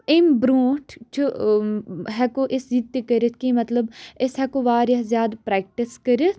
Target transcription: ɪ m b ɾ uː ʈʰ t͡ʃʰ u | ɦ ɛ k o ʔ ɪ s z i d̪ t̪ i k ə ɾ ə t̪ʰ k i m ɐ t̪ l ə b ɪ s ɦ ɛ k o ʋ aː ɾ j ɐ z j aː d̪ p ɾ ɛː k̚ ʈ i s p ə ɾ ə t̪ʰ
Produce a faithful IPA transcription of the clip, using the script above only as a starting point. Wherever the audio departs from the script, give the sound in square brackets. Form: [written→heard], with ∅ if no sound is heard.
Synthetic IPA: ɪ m b ɾ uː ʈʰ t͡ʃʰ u | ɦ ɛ k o ʔ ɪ s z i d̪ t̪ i k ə ɾ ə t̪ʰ k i m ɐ t̪ l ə b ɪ s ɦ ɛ k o ʋ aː ɾ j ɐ z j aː d̪ p ɾ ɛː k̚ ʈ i s [p→k] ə ɾ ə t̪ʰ